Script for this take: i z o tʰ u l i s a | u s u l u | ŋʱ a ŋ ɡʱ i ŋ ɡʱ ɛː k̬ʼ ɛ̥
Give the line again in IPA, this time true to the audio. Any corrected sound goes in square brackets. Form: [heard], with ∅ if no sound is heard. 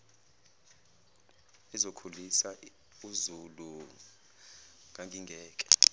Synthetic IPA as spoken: i z o [kʰ] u l i s a | u [z] u l u | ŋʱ a ŋ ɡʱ i ŋ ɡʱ ɛː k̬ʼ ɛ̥